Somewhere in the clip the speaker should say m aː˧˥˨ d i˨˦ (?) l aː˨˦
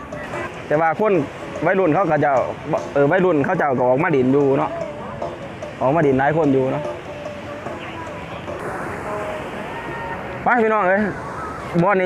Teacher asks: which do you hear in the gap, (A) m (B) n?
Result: B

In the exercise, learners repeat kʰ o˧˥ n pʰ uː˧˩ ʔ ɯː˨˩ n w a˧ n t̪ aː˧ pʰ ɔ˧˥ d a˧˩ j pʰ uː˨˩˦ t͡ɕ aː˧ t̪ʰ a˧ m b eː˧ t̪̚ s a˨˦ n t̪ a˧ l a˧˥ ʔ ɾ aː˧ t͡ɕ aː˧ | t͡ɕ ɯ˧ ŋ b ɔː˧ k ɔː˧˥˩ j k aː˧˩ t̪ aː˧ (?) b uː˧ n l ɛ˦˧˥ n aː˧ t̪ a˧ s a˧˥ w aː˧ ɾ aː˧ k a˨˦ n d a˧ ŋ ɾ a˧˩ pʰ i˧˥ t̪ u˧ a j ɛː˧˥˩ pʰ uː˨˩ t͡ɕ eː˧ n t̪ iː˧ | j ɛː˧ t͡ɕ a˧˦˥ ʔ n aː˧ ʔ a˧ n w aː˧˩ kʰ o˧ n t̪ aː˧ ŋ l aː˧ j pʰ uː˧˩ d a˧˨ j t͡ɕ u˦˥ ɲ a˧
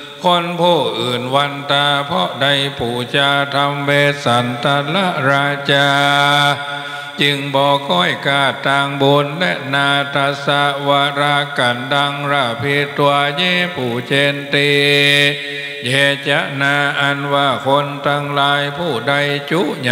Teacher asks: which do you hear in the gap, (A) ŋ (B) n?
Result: A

